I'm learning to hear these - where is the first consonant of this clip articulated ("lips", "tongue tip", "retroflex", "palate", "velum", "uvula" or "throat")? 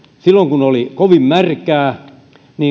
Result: tongue tip